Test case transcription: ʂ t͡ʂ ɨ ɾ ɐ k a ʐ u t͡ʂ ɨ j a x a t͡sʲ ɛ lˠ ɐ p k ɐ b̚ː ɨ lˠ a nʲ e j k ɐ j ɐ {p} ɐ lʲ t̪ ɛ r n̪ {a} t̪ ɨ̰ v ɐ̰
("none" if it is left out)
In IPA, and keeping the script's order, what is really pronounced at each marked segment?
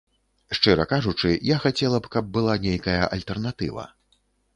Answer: ʔ, a

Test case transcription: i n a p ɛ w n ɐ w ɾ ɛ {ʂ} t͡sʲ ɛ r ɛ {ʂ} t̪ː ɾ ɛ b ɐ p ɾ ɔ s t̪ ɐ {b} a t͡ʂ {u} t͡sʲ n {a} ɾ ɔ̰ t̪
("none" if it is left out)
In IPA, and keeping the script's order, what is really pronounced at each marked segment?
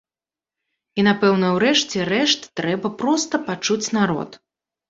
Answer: ʂ, ʂ, p, u, a

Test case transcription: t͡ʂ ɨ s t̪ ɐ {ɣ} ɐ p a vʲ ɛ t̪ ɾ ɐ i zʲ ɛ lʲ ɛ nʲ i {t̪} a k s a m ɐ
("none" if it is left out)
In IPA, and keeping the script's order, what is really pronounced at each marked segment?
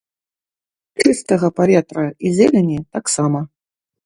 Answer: ɣ, t̪

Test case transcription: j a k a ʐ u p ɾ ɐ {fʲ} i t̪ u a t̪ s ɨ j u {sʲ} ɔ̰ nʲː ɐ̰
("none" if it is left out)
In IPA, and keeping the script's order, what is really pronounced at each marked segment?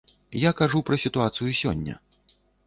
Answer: sʲ, sʲ

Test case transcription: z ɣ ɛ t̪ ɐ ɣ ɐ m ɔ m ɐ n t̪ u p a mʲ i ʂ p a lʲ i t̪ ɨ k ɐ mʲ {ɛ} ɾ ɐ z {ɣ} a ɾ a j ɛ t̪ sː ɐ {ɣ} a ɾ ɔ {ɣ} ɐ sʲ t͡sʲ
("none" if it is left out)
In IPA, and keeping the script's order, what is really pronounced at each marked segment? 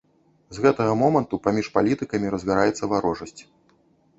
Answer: i, ɣ, v, ʐ

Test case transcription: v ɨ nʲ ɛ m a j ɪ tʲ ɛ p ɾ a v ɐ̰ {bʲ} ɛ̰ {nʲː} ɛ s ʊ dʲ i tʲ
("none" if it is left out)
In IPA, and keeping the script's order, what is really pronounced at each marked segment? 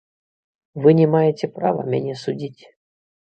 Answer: mʲ, nʲ

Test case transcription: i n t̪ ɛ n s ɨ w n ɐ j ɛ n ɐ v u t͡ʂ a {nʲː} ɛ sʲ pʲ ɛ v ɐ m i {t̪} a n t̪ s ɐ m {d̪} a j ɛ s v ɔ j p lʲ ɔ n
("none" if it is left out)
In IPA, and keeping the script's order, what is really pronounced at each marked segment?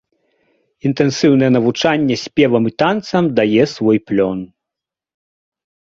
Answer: nʲː, t̪, d̪

